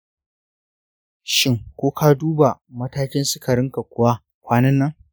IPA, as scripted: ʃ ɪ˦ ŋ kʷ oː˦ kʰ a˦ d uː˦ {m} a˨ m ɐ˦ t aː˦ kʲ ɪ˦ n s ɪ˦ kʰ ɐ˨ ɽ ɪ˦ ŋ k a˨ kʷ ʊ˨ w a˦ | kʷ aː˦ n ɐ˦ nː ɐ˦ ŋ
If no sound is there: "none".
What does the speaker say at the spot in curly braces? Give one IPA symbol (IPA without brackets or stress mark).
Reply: b